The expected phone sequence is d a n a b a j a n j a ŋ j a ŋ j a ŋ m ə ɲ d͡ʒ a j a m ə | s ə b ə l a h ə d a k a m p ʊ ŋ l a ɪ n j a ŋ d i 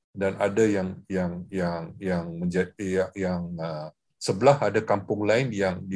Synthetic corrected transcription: d a n a d a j a ŋ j a ŋ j a ŋ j a ŋ m ə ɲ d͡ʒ a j a ŋ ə | s ə b ə l a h a d a k a m p ʊ ŋ l a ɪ n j a ŋ d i